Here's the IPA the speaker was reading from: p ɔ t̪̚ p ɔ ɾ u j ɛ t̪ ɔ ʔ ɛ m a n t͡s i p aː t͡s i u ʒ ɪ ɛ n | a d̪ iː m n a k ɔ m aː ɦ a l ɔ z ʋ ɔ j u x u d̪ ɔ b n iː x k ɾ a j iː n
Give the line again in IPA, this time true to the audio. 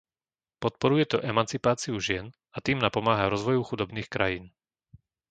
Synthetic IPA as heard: p ɔ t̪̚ p ɔ ɾ u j ɛ t̪ ɔ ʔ ɛ m a n t͡s i p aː t͡s i u ʒ ɪ ɛ n | a t̪ iː m n a p ɔ m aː ɦ a ɾ ɔ z ʋ ɔ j u x u d̪ ɔ b n iː x k ɾ a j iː n